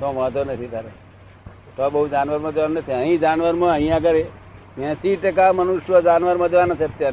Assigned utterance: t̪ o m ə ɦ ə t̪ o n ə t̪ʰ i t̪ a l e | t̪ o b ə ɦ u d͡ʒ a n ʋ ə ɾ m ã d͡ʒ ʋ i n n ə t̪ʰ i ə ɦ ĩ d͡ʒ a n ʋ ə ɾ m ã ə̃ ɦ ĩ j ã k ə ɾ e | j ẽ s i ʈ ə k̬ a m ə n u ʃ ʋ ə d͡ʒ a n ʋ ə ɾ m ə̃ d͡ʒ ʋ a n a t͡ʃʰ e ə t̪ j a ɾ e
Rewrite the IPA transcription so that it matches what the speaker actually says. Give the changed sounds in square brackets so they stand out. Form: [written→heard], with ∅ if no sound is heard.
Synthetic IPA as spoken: t̪ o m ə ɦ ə t̪ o n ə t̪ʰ i t̪ a [l→ɾ] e | t̪ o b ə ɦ u d͡ʒ a n ʋ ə ɾ m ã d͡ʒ ʋ [i→a] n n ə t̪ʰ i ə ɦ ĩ d͡ʒ a n ʋ ə ɾ m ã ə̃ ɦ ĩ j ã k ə ɾ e | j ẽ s i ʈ ə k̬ a m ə n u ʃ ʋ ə d͡ʒ a n ʋ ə ɾ m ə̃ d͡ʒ ʋ a n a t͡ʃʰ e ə t̪ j a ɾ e